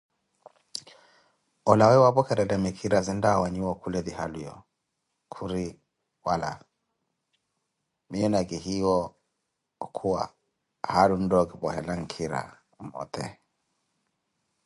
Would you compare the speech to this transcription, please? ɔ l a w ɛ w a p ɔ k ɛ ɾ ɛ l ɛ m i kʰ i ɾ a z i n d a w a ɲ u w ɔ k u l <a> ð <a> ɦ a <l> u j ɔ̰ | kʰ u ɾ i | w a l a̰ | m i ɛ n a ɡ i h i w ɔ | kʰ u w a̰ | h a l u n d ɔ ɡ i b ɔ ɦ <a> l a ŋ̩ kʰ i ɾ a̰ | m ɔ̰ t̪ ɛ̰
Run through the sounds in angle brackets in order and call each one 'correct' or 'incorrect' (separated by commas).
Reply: incorrect, incorrect, correct, incorrect